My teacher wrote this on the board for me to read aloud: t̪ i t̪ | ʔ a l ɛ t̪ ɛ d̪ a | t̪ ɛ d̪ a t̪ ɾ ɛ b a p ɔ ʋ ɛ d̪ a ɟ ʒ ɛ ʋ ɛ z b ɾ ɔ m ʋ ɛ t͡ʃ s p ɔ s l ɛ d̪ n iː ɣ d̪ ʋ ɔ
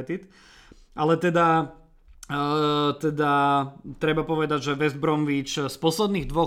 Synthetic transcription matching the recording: t̪ i t̪ | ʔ a l ɛ t̪ ɛ d̪ a | t̪ ɛ d̪ a t̪ ɾ ɛ b a p ɔ ʋ ɛ d̪ a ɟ ʒ ɛ ʋ ɛ z b ɾ ɔ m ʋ i t͡ʃ s p ɔ s l ɛ d̪ n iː ɣ d̪ ʋ ɔ